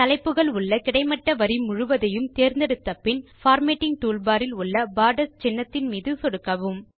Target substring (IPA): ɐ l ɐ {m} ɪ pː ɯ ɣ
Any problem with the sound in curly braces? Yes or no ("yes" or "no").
yes